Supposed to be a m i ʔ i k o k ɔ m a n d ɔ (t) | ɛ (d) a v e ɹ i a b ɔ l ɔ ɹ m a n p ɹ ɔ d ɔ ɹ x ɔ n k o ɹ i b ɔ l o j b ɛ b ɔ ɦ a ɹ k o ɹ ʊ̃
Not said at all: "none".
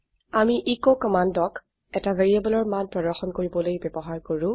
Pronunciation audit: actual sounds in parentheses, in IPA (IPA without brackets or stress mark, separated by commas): k, t